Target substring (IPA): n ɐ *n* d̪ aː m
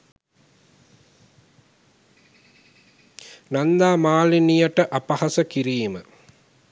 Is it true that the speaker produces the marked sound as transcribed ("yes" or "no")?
yes